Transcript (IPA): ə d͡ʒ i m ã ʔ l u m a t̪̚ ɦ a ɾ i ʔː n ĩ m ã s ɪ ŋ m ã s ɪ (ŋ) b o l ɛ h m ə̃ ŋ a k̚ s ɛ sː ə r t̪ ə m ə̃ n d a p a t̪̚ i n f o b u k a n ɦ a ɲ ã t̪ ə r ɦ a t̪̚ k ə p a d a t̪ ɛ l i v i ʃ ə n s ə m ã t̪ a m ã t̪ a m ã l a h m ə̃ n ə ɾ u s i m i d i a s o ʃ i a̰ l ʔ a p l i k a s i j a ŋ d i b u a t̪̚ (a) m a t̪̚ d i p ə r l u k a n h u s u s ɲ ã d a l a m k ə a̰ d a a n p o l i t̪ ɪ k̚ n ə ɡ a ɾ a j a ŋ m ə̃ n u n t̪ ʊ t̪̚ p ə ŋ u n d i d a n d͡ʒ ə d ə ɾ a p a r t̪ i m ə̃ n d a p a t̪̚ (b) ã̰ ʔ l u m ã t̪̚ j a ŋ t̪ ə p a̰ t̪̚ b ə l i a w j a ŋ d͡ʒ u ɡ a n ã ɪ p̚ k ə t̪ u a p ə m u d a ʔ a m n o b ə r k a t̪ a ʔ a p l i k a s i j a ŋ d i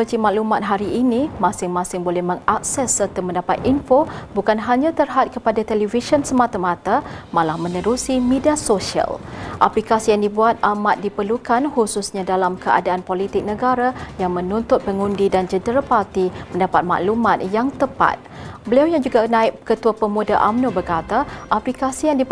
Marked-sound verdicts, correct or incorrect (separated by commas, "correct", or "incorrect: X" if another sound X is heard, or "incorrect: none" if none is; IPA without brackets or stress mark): correct, correct, incorrect: m